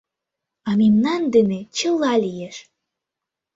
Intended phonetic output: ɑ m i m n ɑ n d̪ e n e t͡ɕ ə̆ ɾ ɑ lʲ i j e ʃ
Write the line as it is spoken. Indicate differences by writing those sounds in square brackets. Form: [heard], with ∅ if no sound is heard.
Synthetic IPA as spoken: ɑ m i m n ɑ n d̪ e n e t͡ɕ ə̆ [l] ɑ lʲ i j e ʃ